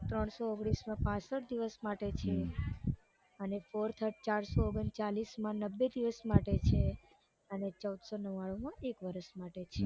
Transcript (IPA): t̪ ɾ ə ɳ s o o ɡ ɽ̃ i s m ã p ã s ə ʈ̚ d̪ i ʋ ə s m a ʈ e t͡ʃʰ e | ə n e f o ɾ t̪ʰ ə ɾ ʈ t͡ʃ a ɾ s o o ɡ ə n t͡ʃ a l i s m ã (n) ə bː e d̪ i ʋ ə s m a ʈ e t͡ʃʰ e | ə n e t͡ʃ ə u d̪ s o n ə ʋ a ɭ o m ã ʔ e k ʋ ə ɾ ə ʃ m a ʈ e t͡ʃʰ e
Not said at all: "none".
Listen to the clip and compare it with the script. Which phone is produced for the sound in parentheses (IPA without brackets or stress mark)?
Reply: n